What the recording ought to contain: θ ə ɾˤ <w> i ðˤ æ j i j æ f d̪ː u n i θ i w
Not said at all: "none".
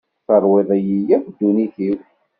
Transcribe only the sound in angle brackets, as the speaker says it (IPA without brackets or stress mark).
w